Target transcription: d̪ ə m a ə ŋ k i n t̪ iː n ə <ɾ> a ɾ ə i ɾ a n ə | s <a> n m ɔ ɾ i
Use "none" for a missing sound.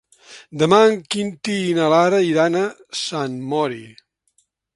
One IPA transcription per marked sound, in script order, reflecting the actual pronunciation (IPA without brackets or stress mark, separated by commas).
l, a